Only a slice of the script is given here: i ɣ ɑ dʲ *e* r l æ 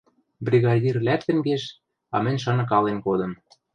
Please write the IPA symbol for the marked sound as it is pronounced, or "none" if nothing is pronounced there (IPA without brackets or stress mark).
i